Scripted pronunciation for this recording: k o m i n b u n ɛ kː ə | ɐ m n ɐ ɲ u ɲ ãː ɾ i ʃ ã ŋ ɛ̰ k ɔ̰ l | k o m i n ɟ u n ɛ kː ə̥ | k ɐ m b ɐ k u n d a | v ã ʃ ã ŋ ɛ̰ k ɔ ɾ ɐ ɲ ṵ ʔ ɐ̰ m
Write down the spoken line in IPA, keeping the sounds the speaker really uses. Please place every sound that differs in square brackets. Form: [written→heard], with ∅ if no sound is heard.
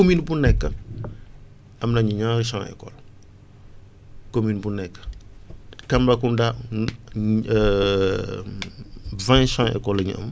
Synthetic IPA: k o m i n b u n ɛ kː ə | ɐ m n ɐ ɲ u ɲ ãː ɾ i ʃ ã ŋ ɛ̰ k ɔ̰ l | k o m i n [ɟ→b] u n ɛ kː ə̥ | k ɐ m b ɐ k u n d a | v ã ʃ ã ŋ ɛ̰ k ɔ [ɾ→l] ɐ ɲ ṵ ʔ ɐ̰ m